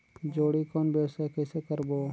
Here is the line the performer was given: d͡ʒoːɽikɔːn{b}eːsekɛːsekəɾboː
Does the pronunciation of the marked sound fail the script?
no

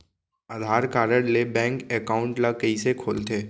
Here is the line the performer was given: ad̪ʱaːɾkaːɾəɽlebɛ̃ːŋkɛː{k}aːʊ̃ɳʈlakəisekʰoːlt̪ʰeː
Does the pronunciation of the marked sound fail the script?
no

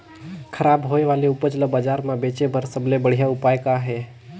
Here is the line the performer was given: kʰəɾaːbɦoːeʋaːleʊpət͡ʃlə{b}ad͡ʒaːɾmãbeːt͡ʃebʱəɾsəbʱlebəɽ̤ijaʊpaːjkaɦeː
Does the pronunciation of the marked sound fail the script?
no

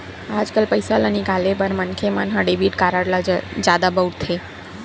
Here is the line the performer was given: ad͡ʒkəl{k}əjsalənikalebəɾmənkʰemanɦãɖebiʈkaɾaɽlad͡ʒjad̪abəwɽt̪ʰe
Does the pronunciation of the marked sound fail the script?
yes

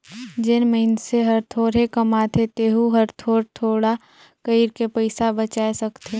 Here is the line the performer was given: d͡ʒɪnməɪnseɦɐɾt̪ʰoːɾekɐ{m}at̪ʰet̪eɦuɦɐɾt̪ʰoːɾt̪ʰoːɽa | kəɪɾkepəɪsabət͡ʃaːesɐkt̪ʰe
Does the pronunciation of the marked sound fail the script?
no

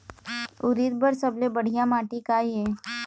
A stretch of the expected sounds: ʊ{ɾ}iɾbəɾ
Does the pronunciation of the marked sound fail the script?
no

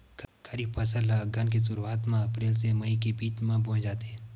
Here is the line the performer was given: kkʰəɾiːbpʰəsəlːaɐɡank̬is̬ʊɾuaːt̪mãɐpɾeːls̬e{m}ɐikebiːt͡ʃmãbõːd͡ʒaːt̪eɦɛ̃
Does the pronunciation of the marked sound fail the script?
no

